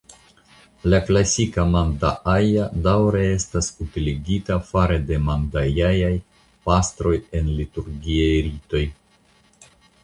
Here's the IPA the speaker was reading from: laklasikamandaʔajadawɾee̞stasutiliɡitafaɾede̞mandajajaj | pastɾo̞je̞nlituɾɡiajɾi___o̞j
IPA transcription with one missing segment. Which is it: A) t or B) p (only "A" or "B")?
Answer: A